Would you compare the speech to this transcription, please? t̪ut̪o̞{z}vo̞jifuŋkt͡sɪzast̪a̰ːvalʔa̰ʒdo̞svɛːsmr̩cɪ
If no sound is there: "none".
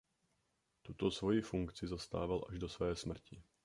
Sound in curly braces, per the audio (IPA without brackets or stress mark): s